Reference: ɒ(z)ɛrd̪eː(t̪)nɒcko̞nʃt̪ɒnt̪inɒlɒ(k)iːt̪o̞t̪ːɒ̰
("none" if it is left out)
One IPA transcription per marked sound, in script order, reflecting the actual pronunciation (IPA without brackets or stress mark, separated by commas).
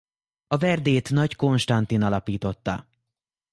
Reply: v, t̪, p